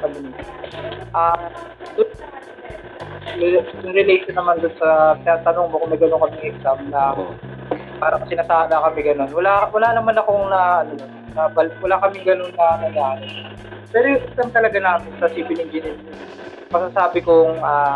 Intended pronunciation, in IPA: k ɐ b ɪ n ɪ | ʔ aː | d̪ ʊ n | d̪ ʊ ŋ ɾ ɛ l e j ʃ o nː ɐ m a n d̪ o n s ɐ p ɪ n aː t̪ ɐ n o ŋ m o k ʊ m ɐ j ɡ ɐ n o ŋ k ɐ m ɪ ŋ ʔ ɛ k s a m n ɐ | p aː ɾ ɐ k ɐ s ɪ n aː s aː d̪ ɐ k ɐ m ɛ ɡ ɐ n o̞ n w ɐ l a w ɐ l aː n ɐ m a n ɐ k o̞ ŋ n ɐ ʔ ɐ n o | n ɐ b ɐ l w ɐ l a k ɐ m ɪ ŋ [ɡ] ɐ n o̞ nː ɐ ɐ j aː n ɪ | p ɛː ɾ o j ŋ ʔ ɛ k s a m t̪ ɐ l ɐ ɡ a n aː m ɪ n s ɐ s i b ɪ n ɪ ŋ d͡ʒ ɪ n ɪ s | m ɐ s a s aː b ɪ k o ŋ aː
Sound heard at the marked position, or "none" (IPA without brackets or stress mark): ɡ